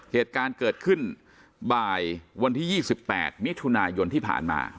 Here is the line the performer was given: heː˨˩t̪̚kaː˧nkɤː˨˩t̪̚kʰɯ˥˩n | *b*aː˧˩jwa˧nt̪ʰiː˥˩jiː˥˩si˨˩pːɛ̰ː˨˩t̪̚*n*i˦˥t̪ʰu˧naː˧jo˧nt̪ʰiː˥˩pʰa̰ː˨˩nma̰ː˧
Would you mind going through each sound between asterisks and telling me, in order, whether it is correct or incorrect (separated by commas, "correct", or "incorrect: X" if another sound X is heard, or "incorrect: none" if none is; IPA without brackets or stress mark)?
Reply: correct, incorrect: m